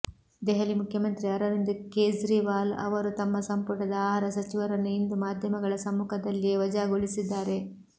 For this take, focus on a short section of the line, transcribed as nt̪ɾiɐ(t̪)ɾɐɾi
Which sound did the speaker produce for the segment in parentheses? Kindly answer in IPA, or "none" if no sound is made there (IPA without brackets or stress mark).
none